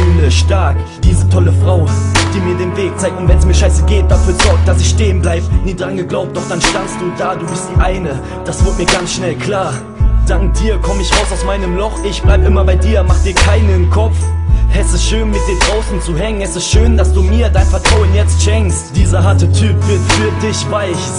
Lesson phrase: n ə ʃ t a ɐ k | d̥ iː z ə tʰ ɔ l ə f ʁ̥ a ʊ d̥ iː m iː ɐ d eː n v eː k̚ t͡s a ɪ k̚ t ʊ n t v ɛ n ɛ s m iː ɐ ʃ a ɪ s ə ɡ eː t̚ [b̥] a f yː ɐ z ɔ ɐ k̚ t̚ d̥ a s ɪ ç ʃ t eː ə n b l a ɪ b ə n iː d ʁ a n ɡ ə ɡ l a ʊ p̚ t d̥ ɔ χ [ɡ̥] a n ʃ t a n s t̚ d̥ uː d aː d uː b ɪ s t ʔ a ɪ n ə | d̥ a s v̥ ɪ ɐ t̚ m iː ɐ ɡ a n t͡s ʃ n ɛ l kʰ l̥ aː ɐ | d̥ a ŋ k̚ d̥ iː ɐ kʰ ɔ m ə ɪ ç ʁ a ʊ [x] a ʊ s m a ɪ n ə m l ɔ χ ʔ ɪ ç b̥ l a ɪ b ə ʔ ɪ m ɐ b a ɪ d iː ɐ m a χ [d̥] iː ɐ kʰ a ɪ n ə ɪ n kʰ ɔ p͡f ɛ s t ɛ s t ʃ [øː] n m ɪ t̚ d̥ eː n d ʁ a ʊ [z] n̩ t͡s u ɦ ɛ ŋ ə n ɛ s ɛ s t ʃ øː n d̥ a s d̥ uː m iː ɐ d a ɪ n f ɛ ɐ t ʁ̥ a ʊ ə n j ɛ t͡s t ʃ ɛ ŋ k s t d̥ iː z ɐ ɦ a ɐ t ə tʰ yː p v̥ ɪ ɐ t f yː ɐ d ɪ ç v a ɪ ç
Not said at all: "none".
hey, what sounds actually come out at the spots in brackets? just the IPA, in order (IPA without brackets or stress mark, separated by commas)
d̥, d̥, s, d̥, øː, s